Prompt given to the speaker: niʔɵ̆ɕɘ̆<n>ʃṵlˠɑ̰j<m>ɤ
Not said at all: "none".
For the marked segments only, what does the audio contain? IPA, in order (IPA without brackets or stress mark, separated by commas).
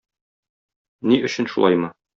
n, m